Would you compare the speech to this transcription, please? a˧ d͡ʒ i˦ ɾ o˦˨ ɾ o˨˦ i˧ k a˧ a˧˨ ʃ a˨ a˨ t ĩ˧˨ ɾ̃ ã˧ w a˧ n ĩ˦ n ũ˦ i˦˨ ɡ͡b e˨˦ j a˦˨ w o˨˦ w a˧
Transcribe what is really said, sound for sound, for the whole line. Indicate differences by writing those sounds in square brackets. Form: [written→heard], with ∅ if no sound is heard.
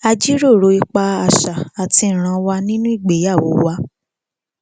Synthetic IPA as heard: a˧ d͡ʒ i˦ ɾ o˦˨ ɾ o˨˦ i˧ [k→k͡p] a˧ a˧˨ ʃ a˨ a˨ t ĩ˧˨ ɾ̃ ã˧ w a˧ n ĩ˦ n ũ˦ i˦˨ ɡ͡b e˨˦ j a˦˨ w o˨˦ w a˧

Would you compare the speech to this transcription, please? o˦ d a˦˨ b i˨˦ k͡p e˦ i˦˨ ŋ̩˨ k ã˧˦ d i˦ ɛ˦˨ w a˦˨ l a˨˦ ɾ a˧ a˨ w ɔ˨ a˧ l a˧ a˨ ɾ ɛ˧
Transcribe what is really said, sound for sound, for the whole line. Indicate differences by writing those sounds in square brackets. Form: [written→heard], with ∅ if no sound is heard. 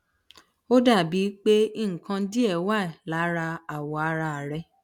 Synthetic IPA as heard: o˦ d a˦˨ b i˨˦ k͡p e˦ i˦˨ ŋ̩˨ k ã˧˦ d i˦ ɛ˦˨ w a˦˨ l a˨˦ ɾ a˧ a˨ w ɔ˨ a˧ [l→ɾ] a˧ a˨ ɾ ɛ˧

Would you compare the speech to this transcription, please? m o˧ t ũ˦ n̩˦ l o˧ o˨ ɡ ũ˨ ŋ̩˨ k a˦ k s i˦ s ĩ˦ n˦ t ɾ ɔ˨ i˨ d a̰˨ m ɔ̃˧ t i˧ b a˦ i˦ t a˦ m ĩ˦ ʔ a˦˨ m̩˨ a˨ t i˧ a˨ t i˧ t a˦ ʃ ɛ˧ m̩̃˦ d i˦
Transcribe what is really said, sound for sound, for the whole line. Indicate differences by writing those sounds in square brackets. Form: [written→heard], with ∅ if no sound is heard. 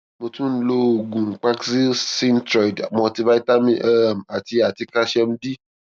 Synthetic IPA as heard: m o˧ t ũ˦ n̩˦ l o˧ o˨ ɡ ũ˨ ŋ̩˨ [k→k͡p] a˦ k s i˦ s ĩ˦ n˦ t ɾ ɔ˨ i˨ d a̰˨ m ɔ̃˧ t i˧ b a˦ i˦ t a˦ m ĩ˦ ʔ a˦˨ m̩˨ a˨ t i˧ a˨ t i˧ [t→k] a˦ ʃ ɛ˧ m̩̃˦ d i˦

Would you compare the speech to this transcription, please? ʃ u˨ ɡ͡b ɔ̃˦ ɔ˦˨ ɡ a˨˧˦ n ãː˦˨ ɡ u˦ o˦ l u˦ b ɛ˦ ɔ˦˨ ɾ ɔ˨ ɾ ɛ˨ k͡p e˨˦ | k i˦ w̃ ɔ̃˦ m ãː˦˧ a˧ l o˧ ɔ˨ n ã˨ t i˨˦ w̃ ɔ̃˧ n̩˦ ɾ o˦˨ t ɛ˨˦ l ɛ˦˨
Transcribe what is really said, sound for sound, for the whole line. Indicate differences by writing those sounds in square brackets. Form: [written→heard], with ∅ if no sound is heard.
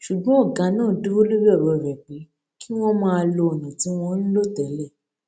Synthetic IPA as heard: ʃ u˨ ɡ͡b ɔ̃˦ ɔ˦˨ ɡ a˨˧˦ n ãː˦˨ [ɡ→d] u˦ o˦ l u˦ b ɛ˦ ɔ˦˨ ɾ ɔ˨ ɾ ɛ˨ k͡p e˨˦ | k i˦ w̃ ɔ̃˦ m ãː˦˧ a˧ l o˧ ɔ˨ n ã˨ t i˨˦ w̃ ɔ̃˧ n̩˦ [ɾ→l] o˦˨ t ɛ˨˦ l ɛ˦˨

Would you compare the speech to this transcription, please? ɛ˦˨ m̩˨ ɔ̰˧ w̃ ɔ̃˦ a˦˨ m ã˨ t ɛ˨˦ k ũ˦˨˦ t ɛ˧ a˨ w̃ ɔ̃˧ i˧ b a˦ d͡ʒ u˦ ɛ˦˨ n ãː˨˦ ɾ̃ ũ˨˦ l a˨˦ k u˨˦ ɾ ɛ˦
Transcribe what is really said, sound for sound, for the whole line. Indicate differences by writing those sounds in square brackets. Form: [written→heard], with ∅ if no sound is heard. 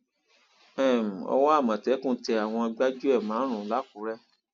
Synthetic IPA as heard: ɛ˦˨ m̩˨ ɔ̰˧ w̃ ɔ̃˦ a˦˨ m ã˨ t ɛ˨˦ k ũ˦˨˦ t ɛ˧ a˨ w̃ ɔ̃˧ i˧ [b→ɡ͡b] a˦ d͡ʒ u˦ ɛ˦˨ [n→m] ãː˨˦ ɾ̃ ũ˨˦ l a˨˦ k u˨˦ ɾ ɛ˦

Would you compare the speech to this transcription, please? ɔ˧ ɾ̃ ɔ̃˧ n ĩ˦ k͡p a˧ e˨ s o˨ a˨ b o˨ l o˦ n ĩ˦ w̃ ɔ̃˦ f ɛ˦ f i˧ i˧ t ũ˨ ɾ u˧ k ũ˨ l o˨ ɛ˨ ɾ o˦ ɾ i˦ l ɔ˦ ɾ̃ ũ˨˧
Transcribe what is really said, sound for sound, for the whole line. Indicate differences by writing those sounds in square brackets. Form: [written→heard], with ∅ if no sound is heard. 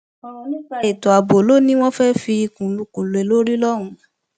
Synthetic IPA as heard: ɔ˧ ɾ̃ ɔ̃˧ n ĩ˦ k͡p a˧ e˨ [s→t] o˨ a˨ b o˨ l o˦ n ĩ˦ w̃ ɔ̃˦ f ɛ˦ f i˧ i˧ [t→k] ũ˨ [ɾ→l] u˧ k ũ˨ l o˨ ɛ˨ [ɾ→l] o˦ ɾ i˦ l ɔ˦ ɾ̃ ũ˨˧

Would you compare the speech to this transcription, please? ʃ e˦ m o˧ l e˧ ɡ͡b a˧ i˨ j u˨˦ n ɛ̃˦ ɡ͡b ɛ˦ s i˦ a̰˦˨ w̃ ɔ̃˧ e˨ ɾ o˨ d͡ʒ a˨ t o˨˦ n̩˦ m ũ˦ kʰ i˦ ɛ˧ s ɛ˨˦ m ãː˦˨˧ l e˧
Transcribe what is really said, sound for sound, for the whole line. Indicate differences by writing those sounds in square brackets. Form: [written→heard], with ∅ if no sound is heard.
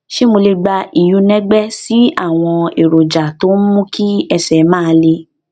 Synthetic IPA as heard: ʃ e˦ m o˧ l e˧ ɡ͡b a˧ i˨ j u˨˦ n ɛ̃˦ ɡ͡b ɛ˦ s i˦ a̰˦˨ w̃ ɔ̃˧ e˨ ɾ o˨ d͡ʒ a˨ t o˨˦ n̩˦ m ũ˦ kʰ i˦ ɛ˧ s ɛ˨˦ m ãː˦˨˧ l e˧

